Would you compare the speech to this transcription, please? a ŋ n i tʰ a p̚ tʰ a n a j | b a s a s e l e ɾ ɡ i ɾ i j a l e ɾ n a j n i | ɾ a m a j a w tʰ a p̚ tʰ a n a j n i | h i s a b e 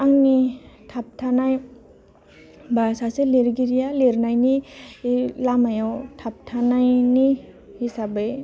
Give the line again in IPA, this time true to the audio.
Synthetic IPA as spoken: a ŋ n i tʰ a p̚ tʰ a n a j | b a s a s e l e ɾ ɡ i ɾ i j a l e ɾ n a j n i | l a m a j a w tʰ a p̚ tʰ a n a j n i | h i s a b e